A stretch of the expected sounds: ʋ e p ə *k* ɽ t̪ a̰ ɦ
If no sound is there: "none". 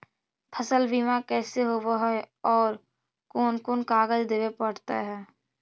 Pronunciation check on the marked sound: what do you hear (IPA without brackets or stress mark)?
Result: none